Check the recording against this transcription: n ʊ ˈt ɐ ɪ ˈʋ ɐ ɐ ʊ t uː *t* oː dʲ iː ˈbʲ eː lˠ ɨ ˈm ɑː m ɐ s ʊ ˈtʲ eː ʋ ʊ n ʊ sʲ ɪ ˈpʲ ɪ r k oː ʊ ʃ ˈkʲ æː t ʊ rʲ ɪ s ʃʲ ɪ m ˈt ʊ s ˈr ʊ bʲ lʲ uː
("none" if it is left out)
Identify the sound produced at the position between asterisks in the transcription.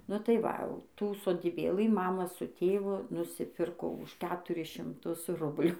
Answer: s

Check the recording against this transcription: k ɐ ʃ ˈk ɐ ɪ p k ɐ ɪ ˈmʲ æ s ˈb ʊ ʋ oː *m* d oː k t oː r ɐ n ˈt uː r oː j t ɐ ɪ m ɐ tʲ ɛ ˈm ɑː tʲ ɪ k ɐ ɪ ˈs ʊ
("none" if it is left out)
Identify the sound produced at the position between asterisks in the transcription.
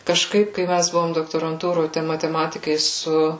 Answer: m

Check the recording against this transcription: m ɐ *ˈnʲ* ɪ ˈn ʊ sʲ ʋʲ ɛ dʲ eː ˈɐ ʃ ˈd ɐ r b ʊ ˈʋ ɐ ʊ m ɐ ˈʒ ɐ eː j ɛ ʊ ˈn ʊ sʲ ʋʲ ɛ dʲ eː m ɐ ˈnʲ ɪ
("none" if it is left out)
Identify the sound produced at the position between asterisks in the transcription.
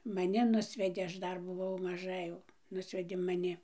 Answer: nʲ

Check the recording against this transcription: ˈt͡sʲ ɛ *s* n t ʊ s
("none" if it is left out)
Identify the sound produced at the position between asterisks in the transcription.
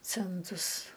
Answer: none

